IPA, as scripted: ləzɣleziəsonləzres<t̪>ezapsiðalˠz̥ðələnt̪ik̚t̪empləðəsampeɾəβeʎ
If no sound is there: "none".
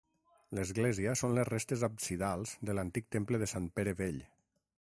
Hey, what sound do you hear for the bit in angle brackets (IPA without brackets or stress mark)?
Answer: t̪